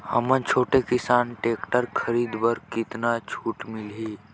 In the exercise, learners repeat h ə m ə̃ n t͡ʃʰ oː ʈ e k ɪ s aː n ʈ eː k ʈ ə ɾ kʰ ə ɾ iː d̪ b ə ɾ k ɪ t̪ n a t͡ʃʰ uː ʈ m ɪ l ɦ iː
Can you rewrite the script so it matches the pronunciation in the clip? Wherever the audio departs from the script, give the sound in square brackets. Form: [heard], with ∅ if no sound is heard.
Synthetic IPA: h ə m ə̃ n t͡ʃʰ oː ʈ e k ɪ s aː n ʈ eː k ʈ ə ɾ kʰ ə ɾ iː d̪ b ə ɾ k ɪ t̪ n a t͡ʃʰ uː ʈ m ɪ l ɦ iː